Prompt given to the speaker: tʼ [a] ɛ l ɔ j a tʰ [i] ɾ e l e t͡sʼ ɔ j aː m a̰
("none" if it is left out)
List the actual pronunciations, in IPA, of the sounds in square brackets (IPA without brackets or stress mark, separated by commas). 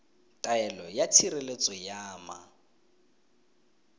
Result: a, i